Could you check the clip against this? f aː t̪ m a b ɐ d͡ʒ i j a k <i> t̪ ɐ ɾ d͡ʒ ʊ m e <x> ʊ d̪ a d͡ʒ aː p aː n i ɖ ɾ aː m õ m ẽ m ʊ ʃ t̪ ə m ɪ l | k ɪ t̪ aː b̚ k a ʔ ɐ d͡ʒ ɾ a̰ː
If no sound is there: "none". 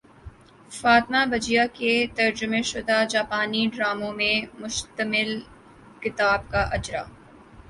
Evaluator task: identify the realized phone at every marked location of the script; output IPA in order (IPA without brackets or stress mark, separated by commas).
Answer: e, ʃ